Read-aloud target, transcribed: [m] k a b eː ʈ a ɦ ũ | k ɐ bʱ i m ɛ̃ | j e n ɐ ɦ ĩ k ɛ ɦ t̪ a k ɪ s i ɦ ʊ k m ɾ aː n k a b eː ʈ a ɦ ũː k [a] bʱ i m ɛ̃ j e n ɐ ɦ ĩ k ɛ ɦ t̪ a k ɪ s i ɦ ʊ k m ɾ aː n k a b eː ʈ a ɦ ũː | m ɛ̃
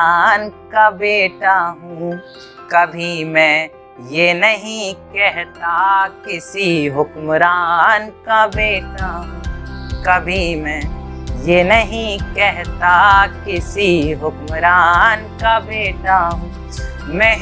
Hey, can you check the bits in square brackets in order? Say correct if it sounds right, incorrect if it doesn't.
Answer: incorrect: n, incorrect: ɐ

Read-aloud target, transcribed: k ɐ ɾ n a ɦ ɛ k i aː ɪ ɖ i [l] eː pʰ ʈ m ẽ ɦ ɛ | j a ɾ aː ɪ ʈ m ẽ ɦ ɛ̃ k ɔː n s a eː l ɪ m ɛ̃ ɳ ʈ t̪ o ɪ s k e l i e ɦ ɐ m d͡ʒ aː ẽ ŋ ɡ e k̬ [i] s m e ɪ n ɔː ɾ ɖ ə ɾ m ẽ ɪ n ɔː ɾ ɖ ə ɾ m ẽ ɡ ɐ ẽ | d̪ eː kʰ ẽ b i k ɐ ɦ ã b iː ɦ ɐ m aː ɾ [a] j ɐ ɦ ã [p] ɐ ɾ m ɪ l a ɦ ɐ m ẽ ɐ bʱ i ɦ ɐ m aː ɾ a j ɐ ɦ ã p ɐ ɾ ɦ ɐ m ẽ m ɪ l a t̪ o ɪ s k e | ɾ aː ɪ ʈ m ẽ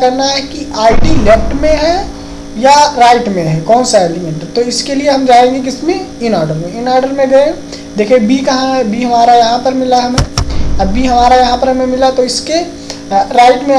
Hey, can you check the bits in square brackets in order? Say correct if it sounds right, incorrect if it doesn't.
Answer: correct, incorrect: ɪ, correct, correct

